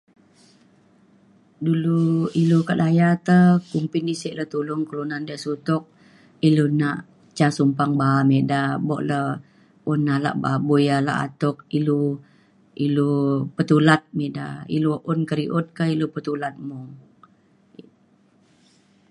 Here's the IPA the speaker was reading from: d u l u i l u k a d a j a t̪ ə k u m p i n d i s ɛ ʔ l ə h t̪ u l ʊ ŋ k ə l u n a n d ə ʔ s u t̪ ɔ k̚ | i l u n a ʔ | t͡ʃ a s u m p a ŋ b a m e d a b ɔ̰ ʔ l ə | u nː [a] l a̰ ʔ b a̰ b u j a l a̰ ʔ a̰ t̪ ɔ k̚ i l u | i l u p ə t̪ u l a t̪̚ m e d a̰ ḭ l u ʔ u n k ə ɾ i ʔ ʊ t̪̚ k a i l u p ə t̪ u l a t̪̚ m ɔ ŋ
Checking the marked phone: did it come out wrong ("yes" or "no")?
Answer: no